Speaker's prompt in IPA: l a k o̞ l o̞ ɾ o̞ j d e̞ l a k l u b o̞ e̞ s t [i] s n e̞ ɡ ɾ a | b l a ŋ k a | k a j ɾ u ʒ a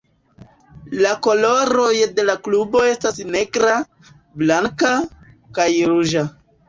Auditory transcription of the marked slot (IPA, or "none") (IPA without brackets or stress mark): a